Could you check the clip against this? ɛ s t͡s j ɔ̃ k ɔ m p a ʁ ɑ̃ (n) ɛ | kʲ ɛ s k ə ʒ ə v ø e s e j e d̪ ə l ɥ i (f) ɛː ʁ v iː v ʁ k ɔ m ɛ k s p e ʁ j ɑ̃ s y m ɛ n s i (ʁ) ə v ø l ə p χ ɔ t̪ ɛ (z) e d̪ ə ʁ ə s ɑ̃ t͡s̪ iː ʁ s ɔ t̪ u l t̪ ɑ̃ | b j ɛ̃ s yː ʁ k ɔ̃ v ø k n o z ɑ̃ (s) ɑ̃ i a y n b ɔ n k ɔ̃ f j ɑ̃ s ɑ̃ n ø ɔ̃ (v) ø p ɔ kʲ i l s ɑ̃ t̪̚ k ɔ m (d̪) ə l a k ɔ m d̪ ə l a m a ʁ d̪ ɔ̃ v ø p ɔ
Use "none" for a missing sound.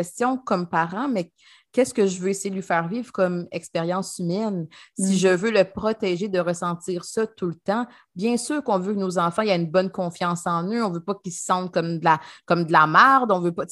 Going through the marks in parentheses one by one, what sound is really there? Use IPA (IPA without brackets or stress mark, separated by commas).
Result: m, f, ʒ, ʒ, f, v, d̪